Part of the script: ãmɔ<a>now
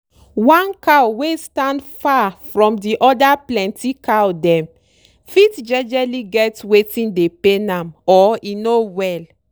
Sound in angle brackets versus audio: incorrect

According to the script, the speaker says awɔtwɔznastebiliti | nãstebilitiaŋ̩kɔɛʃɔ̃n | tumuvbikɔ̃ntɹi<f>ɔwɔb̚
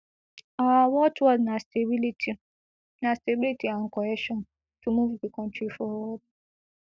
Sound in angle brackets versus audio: correct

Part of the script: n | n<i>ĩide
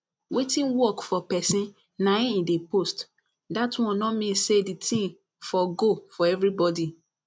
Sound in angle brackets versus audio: incorrect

